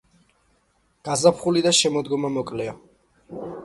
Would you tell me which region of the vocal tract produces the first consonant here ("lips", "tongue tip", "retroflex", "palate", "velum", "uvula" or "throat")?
velum